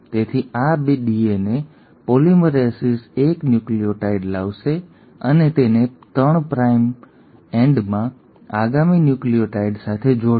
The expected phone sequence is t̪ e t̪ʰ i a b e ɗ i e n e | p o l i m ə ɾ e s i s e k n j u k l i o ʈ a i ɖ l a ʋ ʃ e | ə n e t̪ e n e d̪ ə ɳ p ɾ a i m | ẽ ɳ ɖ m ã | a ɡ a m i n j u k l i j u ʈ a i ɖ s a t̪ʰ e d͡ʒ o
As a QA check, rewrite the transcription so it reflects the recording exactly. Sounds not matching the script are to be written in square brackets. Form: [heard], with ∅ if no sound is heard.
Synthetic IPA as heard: t̪ e t̪ʰ i a b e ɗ i e n e | p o l i m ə ɾ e s i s e k n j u k l i o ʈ a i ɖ l a ʋ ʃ e | ə n e t̪ e n e [t̪] ə ɳ p ɾ a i m | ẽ ɳ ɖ m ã | a ɡ a m i n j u k l i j [o] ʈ a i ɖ s a t̪ʰ e d͡ʒ o